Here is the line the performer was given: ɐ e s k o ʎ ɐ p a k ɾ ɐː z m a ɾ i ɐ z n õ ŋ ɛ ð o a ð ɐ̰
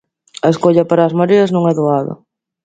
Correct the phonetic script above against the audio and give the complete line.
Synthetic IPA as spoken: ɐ e s k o ʎ ɐ p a ɾ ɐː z m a ɾ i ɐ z n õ ŋ ɛ ð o a ð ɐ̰